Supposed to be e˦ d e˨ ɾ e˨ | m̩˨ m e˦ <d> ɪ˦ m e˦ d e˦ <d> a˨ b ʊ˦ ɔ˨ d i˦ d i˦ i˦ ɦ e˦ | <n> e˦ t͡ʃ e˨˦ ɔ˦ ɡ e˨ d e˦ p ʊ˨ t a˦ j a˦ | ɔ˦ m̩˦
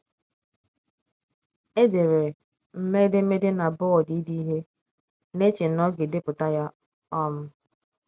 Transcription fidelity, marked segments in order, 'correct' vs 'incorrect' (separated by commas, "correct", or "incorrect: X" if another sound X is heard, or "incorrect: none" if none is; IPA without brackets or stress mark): correct, incorrect: n, correct